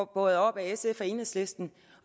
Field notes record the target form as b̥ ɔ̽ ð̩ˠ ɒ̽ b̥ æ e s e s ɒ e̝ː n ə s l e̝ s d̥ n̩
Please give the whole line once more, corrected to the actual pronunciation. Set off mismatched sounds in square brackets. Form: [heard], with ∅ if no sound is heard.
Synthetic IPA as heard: b̥ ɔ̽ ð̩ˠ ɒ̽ b̥ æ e s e [f] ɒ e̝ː n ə s l e̝ s d̥ n̩